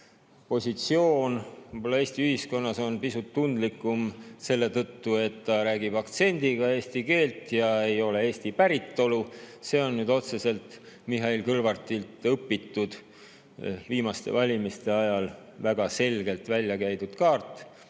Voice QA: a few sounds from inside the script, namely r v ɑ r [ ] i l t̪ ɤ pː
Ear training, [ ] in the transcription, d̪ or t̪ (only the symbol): t̪